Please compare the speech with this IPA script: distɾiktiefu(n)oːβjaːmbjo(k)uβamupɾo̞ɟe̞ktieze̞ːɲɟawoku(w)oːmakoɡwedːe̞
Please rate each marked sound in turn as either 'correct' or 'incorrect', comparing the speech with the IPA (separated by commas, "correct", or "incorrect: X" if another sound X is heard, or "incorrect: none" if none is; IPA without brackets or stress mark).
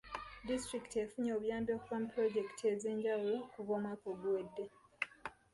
incorrect: ɲ, correct, incorrect: β